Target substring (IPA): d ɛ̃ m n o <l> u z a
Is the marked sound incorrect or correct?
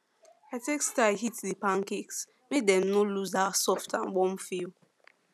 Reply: correct